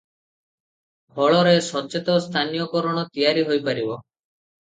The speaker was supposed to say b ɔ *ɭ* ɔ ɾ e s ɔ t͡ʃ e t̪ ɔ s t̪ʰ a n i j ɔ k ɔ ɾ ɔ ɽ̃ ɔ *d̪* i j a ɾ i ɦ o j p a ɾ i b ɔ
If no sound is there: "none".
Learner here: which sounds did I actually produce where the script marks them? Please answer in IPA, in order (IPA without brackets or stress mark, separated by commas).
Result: ɭ, t̪